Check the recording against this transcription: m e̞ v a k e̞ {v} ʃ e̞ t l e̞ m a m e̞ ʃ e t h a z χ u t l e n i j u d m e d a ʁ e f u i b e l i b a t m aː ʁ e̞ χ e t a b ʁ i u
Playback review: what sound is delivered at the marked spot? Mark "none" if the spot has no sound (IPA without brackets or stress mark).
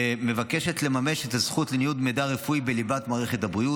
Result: none